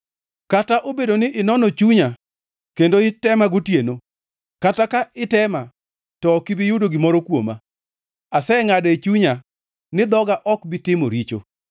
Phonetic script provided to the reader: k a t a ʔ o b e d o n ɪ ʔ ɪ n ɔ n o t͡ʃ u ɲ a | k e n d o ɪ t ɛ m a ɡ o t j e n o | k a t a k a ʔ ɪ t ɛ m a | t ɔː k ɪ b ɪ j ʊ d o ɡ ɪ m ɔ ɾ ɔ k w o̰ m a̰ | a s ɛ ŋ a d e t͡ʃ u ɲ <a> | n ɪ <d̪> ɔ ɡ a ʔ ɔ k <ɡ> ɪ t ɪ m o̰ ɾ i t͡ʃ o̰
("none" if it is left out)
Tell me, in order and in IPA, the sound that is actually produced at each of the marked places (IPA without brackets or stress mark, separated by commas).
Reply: a, d̪, b